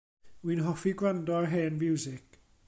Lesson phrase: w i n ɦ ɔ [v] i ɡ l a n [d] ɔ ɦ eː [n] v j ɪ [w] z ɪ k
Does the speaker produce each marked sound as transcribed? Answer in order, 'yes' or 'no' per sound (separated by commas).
no, yes, yes, yes